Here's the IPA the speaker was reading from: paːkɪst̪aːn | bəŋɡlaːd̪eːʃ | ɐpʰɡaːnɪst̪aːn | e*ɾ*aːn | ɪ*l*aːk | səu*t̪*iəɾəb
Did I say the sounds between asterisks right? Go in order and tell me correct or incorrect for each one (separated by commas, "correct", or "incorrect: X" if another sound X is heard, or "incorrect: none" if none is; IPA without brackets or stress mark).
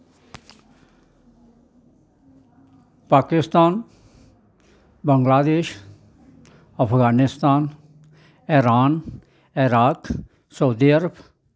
correct, incorrect: ɾ, incorrect: d̪